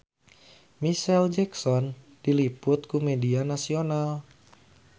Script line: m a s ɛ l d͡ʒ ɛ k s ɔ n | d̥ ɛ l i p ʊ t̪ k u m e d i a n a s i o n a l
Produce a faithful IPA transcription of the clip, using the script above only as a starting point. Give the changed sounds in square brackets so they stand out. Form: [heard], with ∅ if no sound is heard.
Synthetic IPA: m [i] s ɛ l d͡ʒ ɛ k s ɔ n | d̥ [i] l i p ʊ t̪ k u m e d i a n a s i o n a l